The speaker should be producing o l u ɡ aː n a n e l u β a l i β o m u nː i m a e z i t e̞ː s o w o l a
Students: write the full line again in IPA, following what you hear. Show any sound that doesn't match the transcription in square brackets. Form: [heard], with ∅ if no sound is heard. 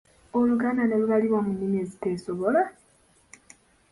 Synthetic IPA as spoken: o l u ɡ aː n a n e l u β a l i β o m u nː i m [i] e z i t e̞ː s o [β] o l a